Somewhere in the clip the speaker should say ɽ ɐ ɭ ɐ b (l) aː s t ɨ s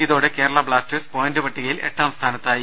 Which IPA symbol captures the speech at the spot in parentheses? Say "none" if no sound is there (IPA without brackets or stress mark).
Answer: ɭ